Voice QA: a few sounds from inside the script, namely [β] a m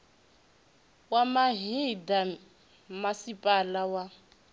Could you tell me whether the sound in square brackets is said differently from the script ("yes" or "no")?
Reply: yes